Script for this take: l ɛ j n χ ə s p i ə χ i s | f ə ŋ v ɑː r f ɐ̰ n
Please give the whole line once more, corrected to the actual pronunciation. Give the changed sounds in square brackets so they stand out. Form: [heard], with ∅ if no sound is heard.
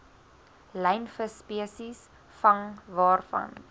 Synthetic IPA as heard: l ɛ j n [f] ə s p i ə [s] i s | f [ɐ] ŋ v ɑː r f ɐ̰ n

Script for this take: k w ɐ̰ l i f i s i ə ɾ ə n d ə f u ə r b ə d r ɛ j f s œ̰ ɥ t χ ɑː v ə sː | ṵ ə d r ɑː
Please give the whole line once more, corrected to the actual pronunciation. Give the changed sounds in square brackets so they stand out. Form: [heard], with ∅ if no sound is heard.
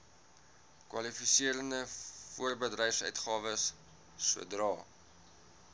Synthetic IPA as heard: k w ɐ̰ l i f i s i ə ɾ ə n d ə f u ə r b ə d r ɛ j f s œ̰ ɥ t χ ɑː v ə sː | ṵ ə d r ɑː

